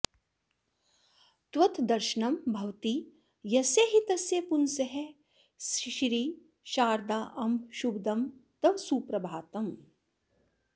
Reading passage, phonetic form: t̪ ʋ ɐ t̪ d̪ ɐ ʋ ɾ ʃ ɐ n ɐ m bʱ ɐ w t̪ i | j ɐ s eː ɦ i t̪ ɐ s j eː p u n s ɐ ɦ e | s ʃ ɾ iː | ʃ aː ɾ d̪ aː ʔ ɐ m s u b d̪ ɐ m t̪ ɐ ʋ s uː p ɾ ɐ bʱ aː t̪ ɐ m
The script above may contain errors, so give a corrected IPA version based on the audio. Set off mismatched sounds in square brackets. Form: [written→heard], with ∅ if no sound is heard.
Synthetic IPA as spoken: t̪ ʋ ɐ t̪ d̪ ɐ [ʋ→∅] ɾ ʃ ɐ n ɐ m bʱ ɐ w t̪ i | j ɐ s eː ɦ i t̪ ɐ s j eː p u n s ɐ ɦ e | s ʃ ɾ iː | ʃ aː ɾ d̪ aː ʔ ɐ m [s→ʃ] u b d̪ ɐ m t̪ ɐ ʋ s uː p ɾ ɐ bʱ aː t̪ ɐ m